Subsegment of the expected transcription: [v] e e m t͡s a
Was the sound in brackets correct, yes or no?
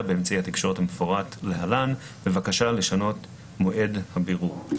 no